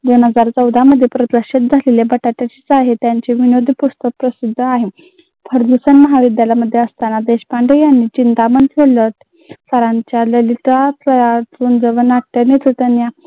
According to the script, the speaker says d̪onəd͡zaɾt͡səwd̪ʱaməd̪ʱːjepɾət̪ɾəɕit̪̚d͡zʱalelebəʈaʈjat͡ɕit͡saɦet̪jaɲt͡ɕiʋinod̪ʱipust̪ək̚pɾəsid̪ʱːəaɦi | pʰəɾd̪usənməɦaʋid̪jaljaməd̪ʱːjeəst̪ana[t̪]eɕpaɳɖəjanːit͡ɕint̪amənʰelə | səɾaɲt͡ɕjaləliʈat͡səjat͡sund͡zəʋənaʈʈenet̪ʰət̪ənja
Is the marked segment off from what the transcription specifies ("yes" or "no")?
yes